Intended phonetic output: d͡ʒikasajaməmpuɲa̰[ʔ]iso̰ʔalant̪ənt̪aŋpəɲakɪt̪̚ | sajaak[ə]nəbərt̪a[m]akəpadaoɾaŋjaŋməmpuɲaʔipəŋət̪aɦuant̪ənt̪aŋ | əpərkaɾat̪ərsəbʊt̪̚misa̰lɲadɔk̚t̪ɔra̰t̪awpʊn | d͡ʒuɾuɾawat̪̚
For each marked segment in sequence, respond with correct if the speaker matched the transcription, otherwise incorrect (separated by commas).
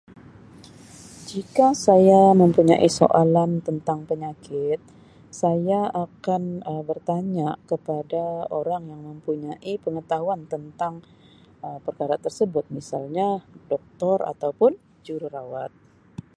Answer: correct, incorrect, incorrect